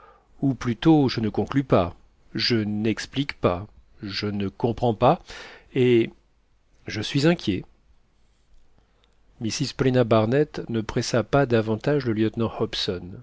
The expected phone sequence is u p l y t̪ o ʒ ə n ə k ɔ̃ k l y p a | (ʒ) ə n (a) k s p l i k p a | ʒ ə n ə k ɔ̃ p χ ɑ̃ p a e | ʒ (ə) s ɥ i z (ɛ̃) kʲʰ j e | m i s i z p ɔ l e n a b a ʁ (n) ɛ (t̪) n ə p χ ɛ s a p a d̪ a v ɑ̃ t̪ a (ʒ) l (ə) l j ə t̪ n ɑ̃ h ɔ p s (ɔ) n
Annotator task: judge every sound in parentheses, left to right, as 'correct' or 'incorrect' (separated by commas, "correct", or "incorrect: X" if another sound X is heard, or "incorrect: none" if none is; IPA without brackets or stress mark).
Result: correct, incorrect: ɛ, correct, correct, correct, correct, correct, correct, correct